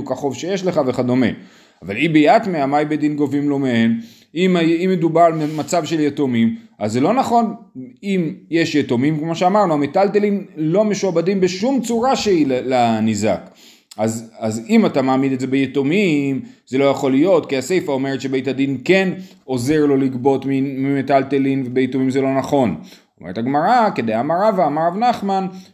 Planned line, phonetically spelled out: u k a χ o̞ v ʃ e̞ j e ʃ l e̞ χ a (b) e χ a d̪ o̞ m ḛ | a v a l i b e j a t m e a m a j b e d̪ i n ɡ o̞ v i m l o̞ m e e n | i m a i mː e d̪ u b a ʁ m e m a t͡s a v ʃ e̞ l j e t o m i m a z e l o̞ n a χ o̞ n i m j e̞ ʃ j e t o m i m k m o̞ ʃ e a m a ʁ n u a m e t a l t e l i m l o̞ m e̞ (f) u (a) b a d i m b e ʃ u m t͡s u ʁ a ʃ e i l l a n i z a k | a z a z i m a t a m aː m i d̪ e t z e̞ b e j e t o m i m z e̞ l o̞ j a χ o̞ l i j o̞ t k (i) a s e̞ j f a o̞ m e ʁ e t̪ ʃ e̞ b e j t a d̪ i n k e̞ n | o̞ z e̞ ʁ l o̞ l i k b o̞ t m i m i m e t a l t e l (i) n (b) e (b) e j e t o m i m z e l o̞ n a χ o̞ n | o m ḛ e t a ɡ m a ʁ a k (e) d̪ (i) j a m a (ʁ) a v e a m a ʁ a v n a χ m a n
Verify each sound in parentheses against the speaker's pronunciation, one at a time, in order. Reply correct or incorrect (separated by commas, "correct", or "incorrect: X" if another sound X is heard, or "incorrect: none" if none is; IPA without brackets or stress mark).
incorrect: v, incorrect: ʃ, correct, correct, correct, incorrect: v, correct, correct, incorrect: e, correct